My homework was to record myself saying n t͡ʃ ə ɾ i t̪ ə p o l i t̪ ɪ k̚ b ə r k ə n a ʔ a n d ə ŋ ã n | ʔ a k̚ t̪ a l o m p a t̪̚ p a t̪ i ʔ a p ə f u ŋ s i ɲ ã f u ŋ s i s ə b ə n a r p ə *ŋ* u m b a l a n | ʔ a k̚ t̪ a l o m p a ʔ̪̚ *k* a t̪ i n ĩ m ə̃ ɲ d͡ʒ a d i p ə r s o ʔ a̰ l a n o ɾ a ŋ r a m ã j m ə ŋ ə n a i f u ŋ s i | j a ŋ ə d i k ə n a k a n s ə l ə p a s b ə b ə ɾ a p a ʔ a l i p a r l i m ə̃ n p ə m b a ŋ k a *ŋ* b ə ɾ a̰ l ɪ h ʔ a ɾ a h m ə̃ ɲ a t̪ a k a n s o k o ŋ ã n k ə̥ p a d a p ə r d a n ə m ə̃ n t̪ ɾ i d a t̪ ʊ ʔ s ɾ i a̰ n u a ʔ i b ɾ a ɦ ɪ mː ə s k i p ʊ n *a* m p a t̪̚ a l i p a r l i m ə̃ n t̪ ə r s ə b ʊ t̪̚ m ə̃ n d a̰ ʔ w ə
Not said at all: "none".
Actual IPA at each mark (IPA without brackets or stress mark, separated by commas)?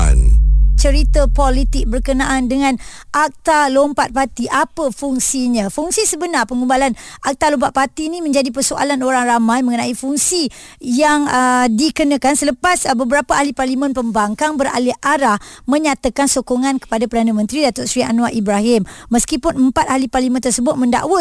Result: ŋ, p, ŋ, ə